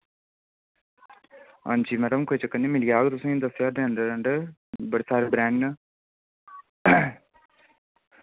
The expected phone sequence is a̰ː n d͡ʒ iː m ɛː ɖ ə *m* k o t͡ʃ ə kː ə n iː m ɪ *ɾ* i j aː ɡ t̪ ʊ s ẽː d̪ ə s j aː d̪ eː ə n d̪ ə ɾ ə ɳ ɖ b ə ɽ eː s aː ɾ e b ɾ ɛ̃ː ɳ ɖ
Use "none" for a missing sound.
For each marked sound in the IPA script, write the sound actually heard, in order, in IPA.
m, l

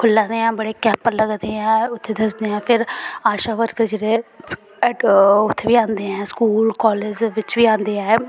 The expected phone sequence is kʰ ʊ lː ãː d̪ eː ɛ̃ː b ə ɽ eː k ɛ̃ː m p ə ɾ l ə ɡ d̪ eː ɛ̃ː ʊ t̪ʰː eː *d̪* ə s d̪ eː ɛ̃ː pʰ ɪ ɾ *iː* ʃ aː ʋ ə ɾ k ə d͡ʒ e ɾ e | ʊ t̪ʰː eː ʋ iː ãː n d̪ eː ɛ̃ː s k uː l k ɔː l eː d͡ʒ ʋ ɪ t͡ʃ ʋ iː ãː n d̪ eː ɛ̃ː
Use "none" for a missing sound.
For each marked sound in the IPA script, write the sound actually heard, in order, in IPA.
d̪, aː

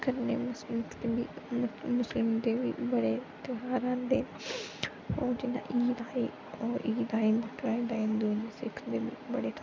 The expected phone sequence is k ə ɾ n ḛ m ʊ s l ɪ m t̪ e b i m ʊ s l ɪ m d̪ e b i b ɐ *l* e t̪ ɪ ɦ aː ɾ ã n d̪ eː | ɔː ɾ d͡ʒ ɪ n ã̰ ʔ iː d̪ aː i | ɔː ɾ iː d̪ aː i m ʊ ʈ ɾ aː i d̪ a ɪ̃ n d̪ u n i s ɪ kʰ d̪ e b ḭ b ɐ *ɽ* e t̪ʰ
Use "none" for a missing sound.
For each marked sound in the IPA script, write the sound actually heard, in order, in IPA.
ɽ, ɽ

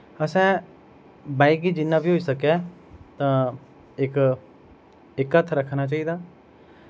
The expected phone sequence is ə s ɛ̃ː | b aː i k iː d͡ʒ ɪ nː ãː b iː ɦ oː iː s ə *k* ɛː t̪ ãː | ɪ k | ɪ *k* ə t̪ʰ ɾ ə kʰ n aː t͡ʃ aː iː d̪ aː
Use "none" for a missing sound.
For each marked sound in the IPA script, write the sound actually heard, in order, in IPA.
k, k

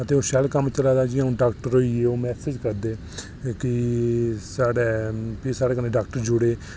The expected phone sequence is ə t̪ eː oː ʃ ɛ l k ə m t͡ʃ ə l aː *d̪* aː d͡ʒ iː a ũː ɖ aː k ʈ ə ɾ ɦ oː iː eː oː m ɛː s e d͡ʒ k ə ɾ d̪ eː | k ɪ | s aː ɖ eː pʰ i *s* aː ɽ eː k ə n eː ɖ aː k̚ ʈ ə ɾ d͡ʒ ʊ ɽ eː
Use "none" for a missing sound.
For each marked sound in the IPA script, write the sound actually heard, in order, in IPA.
d̪, s

